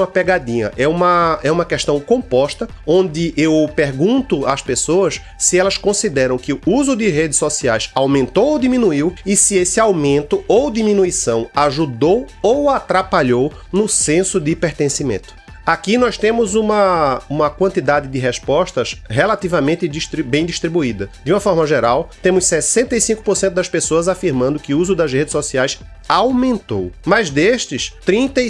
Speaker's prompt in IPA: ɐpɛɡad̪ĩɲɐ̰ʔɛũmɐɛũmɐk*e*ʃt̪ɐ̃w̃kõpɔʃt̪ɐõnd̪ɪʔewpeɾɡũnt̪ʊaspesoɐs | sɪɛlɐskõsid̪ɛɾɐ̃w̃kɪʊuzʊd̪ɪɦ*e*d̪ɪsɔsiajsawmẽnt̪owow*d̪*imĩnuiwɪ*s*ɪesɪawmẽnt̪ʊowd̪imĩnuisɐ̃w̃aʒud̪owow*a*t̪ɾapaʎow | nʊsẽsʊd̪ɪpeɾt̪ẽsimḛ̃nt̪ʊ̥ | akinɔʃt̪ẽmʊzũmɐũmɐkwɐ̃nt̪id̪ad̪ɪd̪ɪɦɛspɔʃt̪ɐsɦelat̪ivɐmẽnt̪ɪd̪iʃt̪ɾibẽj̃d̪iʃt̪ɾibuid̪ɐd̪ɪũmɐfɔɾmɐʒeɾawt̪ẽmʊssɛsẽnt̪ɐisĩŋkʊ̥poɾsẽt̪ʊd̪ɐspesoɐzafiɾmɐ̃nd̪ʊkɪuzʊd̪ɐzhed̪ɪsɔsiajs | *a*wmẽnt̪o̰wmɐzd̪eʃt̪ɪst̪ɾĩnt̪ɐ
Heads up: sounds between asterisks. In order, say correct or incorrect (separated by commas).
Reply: incorrect, correct, correct, correct, correct, correct